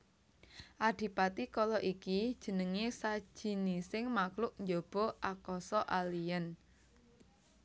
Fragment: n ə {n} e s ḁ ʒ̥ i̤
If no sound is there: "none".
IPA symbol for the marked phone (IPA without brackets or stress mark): ŋ